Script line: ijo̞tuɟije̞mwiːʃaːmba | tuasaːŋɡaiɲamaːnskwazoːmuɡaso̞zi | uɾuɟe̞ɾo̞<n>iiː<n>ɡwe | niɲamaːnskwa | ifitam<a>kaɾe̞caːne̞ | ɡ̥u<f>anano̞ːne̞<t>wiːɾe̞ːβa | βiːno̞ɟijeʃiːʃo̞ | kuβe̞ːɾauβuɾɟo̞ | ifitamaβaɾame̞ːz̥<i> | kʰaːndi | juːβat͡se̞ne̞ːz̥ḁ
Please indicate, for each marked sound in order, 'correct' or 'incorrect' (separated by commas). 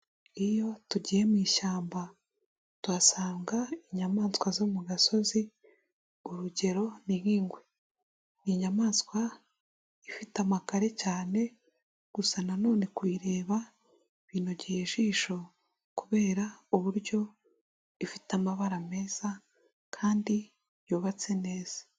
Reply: correct, incorrect, correct, incorrect, incorrect, incorrect